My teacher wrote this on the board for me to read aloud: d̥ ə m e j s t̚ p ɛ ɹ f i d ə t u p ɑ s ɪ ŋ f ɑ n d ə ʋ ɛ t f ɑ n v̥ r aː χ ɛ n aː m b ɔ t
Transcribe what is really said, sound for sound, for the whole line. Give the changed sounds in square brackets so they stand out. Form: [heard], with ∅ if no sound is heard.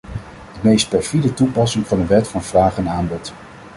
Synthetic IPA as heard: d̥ ə m e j s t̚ p ɛ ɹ f i d ə t u p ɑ s ɪ ŋ [v] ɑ n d ə ʋ ɛ t f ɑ n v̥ r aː χ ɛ n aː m b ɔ t